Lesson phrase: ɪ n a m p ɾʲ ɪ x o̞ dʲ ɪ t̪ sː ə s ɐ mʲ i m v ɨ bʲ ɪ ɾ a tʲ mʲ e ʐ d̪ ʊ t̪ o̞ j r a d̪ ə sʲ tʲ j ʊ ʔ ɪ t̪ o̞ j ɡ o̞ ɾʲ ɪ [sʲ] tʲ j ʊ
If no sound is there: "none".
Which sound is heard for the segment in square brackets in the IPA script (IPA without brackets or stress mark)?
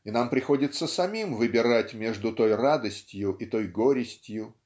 sʲ